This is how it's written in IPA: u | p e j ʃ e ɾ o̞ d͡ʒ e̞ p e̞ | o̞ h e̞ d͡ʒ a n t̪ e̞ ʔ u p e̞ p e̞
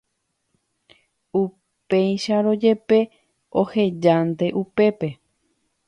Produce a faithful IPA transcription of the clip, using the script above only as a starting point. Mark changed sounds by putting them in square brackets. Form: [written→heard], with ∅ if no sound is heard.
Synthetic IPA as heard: u | p e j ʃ [e→a] ɾ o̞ d͡ʒ e̞ p e̞ | o̞ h e̞ d͡ʒ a n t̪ e̞ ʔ u p e̞ p e̞